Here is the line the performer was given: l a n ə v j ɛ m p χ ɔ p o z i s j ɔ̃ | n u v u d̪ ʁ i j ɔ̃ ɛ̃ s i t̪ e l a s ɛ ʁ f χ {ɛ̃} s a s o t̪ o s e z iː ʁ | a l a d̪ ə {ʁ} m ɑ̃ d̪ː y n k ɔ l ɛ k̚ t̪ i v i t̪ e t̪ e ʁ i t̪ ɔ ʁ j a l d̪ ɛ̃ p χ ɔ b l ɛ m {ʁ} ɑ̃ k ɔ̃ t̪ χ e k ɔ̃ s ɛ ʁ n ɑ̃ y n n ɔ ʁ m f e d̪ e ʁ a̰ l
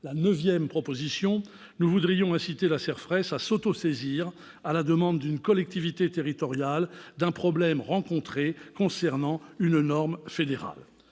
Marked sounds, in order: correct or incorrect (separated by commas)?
incorrect, incorrect, correct